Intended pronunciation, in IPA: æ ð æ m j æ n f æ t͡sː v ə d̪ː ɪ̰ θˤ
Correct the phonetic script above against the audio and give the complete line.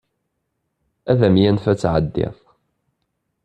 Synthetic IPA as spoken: æ ð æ m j æ n f æ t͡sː ʕ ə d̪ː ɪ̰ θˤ